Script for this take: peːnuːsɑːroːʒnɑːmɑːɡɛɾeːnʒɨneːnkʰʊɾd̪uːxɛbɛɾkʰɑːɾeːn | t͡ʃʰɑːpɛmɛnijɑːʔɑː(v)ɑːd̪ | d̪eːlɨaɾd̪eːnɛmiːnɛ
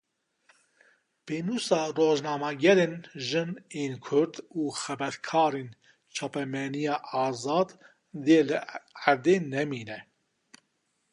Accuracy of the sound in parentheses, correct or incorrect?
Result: incorrect